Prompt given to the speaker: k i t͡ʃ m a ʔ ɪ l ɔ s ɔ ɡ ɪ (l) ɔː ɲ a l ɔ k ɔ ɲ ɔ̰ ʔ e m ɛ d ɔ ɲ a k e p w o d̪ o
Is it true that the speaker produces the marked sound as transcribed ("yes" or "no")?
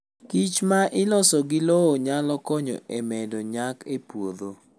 yes